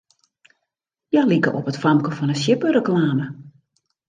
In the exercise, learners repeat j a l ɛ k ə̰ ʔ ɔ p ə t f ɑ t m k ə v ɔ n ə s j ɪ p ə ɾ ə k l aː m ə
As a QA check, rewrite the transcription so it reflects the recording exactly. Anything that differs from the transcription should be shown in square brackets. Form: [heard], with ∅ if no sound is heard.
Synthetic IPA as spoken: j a l [i] k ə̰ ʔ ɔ p ə t f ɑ [∅] m k ə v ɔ n ə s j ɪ p ə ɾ ə k l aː m ə